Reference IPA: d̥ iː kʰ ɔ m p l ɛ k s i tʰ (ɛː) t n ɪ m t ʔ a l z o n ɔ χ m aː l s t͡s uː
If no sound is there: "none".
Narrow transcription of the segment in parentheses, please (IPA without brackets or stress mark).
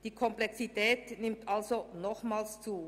ɛː